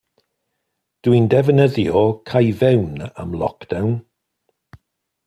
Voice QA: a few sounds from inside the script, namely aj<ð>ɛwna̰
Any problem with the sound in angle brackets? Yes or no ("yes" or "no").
yes